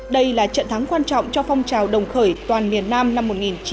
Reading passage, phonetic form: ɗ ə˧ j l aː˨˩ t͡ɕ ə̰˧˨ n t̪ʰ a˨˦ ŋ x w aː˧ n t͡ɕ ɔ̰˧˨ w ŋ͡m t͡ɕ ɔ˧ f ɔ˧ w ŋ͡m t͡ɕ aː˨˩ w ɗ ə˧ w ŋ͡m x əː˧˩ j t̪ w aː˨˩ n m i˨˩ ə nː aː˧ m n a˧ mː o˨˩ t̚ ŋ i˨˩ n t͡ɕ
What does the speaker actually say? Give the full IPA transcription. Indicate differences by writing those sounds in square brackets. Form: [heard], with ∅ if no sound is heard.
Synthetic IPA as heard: ɗ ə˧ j l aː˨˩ t͡ɕ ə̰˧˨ n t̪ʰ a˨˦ ŋ [k] w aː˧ n t͡ɕ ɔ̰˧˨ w ŋ͡m t͡ɕ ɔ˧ f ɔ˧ w ŋ͡m t͡ɕ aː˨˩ w ɗ [ə˨˩] w ŋ͡m x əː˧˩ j t̪ w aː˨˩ n m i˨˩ ə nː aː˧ m n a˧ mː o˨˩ t̚ ŋ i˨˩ n t͡ɕ